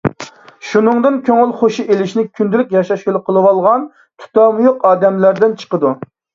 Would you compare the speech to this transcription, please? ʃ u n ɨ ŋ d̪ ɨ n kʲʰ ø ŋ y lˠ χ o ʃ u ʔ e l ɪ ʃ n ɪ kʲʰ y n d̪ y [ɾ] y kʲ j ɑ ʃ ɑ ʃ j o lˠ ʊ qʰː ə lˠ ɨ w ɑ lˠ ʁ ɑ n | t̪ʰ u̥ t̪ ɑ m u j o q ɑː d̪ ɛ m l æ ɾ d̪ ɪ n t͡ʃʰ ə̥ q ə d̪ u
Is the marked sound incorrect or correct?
incorrect